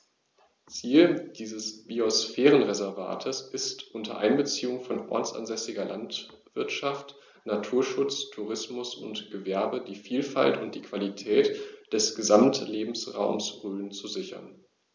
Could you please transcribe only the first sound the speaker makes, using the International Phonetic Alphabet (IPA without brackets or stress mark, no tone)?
t͡s